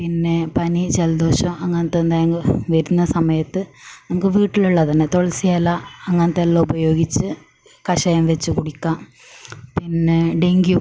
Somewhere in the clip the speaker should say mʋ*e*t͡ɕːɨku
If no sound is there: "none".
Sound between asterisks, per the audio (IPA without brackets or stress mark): e